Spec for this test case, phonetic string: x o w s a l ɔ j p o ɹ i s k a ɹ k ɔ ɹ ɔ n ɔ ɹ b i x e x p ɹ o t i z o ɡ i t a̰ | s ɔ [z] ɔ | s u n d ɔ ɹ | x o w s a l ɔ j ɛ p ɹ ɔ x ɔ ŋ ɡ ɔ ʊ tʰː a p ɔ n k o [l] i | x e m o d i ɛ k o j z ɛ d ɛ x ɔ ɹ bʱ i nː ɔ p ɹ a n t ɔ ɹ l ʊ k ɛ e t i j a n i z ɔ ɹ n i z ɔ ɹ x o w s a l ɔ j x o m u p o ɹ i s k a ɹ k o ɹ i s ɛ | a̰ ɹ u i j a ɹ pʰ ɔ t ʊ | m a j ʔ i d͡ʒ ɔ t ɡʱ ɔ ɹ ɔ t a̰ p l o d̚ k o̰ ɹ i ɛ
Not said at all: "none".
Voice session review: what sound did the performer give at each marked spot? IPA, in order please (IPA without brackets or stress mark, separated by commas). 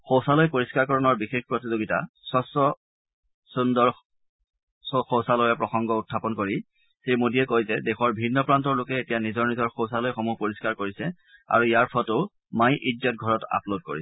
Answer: s, ɹ